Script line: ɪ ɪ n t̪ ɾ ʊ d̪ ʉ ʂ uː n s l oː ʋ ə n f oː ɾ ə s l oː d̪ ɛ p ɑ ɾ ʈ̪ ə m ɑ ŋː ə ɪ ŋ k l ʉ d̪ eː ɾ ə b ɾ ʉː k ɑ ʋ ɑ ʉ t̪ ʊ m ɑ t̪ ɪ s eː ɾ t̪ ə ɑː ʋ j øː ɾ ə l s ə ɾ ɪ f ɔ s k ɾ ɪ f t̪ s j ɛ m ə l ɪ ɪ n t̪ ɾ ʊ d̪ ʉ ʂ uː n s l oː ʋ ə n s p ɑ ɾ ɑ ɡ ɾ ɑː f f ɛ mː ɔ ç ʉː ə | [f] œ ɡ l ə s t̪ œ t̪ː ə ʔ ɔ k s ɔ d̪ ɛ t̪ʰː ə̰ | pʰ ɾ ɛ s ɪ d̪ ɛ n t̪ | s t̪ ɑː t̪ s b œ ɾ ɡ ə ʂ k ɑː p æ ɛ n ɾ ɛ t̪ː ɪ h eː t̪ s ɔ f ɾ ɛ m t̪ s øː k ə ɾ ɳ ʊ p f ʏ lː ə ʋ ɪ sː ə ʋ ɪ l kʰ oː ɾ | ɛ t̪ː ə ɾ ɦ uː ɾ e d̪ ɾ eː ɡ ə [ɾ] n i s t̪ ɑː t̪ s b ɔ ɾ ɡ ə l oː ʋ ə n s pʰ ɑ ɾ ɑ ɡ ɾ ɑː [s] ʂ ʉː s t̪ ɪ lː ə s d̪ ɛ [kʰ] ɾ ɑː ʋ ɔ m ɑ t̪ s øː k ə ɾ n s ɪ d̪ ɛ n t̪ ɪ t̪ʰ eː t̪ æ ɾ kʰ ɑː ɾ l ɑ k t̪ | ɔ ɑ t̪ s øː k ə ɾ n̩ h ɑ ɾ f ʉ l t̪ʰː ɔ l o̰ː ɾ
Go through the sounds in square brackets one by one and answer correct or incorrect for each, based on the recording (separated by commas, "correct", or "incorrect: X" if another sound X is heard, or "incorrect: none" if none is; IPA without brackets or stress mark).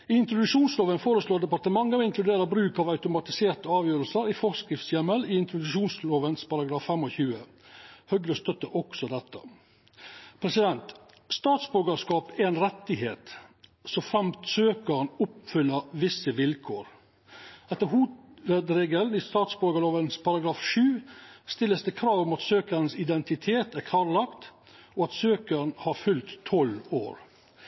incorrect: h, incorrect: l, incorrect: f, correct